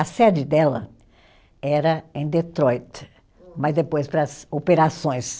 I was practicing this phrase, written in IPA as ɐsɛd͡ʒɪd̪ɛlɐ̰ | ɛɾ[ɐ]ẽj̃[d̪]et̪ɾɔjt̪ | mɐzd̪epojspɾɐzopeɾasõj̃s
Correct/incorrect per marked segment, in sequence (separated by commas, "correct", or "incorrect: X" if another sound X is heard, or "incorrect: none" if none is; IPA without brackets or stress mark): correct, correct